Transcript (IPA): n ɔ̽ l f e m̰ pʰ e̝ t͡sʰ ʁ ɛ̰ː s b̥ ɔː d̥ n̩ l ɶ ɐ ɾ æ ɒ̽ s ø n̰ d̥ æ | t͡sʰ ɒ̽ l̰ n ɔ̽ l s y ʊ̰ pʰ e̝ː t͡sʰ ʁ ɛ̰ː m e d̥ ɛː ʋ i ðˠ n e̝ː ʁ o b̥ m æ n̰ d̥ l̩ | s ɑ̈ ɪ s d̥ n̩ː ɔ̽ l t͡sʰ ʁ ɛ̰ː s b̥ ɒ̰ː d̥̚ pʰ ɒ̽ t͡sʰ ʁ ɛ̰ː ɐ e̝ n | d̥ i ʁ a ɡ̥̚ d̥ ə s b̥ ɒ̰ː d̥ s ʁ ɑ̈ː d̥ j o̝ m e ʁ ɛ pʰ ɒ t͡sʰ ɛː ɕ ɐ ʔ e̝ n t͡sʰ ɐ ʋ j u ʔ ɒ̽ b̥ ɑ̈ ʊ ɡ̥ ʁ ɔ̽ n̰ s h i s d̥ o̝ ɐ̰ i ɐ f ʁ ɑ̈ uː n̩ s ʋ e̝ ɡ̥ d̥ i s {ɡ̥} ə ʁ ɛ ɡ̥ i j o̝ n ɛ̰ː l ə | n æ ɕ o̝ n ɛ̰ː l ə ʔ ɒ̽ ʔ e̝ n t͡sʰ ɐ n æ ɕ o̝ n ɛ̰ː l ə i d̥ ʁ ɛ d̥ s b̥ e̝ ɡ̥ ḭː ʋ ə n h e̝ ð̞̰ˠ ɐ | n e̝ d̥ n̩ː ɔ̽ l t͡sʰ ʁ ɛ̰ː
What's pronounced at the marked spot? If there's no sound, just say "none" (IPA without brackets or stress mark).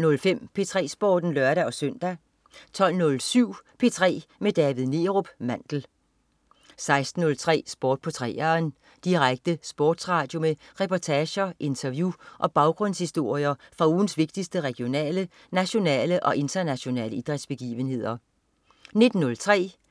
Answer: d̥